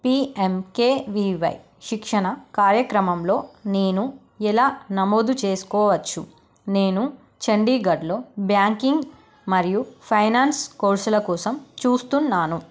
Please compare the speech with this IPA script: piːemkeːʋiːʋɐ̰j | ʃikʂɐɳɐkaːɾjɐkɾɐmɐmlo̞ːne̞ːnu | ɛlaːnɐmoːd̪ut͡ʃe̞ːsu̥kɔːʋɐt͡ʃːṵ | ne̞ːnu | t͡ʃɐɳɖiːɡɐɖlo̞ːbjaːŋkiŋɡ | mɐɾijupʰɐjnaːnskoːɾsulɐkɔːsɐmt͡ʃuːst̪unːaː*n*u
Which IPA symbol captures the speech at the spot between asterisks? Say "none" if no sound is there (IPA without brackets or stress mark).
n